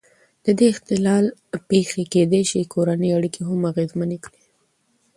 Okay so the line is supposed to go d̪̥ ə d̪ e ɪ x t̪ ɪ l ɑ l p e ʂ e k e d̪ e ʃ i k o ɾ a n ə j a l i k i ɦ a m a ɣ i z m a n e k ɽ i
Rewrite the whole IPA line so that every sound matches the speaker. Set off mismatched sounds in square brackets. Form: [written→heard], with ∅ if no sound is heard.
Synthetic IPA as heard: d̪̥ ə d̪ e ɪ x t̪ ɪ l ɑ l p e [ʂ→x] e k e d̪ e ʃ i k o ɾ a n ə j a [l→ɽ] i k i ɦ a m a ɣ [i→e] z m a n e k ɽ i